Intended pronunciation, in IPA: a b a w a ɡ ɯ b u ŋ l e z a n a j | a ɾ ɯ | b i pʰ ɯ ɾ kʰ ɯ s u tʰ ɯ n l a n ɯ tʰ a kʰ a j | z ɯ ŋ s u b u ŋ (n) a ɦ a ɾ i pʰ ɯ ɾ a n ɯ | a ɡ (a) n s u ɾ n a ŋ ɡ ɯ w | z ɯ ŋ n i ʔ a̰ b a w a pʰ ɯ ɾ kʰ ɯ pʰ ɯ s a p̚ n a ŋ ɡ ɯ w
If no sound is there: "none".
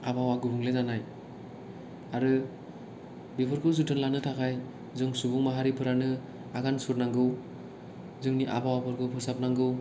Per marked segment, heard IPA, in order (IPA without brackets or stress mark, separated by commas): m, a